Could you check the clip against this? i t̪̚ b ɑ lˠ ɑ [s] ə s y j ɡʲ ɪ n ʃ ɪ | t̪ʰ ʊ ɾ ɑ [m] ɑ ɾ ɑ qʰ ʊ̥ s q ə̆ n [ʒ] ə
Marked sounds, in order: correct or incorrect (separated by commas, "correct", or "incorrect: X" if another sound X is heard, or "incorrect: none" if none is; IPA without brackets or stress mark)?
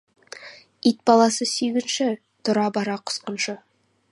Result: correct, incorrect: b, incorrect: ʃ